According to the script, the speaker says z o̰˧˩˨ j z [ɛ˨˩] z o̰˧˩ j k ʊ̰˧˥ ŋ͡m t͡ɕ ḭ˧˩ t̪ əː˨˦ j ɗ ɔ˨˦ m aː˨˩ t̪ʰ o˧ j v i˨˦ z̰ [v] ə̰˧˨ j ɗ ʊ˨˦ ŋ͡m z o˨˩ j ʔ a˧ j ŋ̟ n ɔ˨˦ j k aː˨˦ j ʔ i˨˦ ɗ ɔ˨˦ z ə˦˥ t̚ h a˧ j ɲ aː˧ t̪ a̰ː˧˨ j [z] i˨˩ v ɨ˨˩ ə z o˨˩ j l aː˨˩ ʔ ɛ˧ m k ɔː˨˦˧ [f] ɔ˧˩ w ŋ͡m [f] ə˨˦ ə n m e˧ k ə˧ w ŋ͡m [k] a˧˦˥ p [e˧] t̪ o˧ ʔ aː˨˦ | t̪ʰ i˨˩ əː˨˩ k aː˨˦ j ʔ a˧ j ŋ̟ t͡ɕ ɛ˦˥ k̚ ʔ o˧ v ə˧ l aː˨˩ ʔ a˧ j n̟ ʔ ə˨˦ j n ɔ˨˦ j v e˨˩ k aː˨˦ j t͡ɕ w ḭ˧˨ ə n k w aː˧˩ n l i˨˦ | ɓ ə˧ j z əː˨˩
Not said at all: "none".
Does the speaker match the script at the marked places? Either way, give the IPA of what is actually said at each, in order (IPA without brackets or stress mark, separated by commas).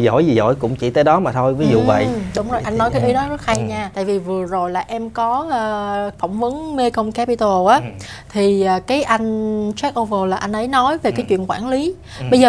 i˨˩, v, v, f, v, k, i˧